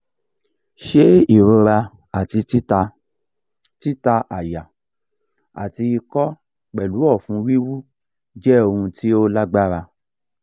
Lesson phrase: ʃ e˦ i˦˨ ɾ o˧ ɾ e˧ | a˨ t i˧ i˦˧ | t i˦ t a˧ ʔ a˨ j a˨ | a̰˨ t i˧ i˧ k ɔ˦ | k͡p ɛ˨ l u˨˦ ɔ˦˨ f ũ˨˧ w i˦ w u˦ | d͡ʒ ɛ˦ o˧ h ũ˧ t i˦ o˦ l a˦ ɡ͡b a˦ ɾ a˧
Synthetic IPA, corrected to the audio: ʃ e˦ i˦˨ ɾ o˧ ɾ a˧ | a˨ t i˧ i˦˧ | t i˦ t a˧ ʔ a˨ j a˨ | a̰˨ t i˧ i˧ k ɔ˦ | k͡p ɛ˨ l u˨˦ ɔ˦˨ f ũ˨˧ w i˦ w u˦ | d͡ʒ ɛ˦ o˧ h ũ˧ t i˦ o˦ l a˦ ɡ͡b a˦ ɾ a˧